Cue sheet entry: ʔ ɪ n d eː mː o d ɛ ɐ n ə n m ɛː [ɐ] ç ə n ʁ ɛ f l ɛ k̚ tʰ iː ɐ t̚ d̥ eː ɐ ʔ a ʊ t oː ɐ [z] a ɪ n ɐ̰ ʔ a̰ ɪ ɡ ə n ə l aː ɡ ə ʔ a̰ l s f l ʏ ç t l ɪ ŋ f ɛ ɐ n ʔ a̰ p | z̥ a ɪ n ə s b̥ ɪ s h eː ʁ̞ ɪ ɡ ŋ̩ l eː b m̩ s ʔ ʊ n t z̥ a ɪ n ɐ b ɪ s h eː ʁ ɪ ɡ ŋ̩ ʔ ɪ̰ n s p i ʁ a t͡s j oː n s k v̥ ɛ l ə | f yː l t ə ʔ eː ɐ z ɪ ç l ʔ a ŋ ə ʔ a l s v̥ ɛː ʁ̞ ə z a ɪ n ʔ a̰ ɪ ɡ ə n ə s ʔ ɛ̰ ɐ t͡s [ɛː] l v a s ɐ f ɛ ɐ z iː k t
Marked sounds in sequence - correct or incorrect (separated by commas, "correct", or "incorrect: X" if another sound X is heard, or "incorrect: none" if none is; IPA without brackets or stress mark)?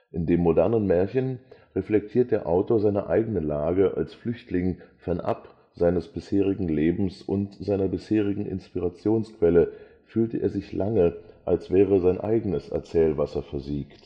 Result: correct, correct, correct